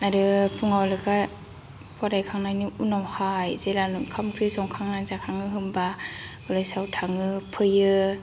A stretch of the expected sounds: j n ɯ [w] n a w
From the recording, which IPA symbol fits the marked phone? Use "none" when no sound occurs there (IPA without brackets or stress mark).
u